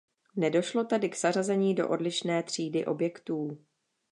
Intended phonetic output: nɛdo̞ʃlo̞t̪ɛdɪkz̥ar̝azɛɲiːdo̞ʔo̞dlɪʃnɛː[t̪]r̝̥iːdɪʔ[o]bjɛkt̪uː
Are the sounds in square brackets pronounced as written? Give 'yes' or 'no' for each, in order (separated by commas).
yes, yes